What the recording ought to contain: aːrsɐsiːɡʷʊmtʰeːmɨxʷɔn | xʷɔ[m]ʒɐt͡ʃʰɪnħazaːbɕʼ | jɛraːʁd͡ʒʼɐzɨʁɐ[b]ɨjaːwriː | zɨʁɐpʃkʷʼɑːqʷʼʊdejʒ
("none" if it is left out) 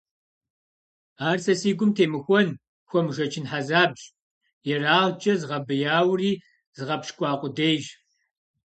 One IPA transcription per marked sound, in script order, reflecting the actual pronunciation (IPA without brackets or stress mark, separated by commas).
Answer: m, b